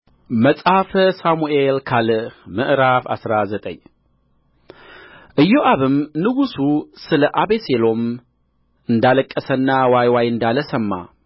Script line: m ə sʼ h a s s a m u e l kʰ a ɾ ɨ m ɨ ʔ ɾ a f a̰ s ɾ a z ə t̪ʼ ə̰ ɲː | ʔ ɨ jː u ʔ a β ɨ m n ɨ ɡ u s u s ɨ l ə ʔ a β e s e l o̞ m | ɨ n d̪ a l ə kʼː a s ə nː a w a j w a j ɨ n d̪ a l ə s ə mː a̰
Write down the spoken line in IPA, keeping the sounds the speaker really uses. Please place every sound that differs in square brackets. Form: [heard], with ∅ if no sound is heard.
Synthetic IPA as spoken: m ə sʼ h a [f] s a m u e l kʰ a [l] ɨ m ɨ ʔ ɾ a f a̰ s ɾ a z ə t̪ʼ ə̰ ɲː | ʔ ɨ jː [o] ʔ a β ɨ m n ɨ ɡ u s u s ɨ l ə ʔ a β e s e l o̞ m | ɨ n d̪ a l ə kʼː [ə] s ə nː a w a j w a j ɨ n d̪ a l ə s ə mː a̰